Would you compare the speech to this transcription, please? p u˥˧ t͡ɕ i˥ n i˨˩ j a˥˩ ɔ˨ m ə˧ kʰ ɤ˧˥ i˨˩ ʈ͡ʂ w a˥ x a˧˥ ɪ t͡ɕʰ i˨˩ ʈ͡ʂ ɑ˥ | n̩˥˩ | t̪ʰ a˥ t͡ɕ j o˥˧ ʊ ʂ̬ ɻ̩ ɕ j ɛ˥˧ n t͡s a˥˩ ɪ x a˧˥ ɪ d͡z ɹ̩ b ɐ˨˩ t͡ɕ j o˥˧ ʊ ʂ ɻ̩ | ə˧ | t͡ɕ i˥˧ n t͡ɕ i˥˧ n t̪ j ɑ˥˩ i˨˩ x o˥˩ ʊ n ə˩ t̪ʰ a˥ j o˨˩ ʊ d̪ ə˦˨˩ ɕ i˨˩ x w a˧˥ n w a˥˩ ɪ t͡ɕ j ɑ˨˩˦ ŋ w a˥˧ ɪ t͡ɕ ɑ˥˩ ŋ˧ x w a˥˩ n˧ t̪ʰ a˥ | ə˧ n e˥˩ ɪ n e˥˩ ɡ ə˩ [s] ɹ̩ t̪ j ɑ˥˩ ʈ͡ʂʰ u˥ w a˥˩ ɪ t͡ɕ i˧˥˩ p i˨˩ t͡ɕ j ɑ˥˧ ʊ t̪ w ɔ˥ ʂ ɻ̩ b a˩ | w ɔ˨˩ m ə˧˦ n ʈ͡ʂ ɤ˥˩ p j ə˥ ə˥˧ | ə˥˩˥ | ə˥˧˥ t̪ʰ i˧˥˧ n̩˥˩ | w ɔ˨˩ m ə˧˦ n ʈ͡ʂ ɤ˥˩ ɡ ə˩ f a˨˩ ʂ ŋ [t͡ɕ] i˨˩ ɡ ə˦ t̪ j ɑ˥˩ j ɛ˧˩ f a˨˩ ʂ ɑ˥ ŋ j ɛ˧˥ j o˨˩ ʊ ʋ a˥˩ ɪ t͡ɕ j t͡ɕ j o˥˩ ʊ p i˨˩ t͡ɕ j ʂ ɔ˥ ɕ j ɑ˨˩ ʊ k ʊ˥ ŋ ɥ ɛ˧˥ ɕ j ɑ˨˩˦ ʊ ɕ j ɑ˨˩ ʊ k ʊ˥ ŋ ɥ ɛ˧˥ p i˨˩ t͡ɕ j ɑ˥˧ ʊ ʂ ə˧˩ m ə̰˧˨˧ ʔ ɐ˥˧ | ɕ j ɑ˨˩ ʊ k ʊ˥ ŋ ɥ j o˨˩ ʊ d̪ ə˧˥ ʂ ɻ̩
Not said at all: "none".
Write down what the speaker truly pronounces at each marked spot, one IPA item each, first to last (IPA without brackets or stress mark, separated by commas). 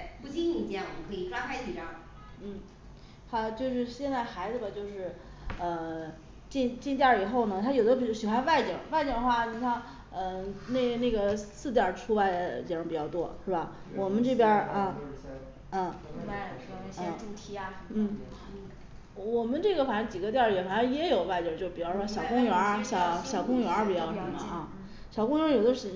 s, t͡ɕ